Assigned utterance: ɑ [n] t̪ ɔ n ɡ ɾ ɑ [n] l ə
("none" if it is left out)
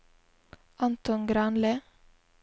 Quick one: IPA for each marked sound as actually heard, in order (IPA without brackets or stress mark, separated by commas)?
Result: n, n